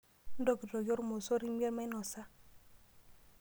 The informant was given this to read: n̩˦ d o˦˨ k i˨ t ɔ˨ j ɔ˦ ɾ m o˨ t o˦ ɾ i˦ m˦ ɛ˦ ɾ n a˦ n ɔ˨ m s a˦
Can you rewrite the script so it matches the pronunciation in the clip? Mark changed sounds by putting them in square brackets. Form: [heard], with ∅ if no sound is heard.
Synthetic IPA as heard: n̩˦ d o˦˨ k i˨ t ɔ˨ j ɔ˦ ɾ m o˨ [s] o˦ ɾ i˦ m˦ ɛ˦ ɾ [m] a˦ n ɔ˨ [∅] s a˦